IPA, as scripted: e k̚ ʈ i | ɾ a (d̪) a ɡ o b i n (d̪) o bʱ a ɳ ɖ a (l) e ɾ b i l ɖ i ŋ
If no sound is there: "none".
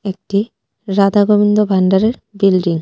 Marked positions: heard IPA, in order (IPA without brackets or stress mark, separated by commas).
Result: d̪, d̪, ɾ